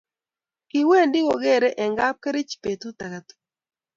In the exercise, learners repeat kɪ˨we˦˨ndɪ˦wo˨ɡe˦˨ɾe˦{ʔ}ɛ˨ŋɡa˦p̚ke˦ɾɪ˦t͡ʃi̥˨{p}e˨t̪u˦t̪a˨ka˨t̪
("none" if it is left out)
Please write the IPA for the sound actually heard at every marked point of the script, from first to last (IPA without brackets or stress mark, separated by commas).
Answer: ʔ, p